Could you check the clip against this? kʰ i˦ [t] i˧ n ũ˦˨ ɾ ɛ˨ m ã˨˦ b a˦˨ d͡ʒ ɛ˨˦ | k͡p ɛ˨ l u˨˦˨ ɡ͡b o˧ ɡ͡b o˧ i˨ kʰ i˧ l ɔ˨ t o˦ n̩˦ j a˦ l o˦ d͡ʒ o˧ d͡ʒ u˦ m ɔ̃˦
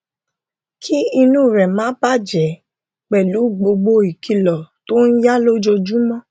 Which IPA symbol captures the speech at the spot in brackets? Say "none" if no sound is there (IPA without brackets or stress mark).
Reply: none